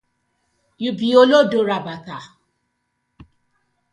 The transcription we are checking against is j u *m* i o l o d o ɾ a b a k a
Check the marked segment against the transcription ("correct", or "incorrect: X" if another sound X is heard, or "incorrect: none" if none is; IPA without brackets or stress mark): incorrect: b